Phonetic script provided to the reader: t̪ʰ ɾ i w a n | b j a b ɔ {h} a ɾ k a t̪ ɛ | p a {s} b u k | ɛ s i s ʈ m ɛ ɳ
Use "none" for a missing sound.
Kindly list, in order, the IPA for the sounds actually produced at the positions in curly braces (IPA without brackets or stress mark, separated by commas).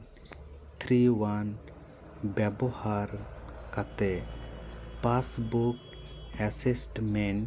h, s